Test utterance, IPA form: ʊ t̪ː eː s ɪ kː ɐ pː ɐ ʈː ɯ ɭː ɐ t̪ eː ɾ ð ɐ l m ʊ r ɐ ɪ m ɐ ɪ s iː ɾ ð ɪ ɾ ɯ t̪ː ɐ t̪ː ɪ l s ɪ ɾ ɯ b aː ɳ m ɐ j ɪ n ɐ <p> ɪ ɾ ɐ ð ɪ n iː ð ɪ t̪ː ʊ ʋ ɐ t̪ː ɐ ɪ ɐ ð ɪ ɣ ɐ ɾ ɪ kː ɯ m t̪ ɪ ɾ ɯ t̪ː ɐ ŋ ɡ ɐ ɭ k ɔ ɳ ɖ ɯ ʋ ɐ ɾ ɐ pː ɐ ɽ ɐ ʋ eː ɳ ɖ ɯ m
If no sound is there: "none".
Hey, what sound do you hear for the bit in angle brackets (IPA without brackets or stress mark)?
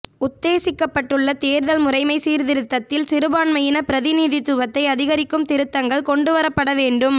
p